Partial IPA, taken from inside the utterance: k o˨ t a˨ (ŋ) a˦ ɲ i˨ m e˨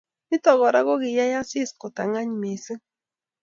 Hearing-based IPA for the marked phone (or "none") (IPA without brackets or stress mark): ŋ